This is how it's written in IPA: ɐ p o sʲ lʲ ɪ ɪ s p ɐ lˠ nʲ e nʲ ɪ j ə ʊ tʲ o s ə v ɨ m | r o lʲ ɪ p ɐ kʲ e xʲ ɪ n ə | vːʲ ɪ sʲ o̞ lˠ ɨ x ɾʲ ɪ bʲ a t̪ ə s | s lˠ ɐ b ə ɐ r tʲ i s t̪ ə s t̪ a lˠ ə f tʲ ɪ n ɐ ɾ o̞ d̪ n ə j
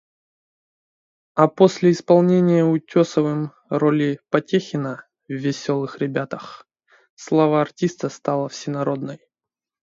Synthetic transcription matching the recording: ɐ p o sʲ lʲ ɪ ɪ s p ɐ lˠ nʲ e nʲ ɪ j ə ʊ tʲ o s ə v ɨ m | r o lʲ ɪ p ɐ tʲ e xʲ ɪ n ə | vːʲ ɪ sʲ o̞ lˠ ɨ x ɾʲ ɪ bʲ a t̪ ə x | s lˠ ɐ v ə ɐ r tʲ i s t̪ ə s t̪ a lˠ ə f sʲ ɪ n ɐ ɾ o̞ d̪ n ə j